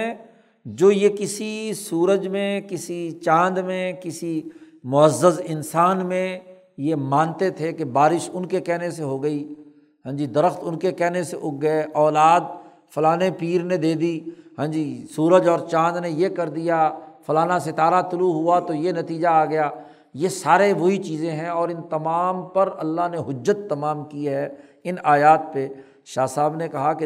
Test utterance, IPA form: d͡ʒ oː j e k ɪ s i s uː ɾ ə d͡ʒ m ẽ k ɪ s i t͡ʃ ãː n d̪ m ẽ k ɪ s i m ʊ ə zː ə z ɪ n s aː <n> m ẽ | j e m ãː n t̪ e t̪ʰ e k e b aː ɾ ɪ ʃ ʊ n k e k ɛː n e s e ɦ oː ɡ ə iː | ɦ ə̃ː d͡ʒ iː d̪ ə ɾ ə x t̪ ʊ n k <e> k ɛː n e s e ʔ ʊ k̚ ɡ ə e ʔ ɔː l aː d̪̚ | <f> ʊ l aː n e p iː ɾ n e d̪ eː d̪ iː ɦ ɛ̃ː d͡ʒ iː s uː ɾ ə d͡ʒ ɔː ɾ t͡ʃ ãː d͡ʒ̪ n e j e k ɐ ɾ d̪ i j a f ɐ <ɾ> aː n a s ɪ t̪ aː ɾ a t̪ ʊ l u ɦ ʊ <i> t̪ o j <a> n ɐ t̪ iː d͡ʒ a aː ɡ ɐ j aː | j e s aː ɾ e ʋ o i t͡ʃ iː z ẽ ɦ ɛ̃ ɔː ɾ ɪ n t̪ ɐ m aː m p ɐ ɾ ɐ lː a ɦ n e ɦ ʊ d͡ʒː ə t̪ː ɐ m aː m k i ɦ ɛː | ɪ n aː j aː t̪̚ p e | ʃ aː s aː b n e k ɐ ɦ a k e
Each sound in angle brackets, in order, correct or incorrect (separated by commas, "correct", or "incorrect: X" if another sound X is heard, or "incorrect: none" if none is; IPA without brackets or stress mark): correct, correct, correct, incorrect: l, incorrect: a, incorrect: e